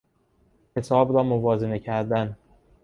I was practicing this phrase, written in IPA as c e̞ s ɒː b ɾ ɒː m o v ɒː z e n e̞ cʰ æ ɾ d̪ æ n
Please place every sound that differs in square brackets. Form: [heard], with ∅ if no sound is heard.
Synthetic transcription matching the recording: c e̞ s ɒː b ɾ ɒː m o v ɒː z e n e̞ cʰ æ ɾ d̪ æ n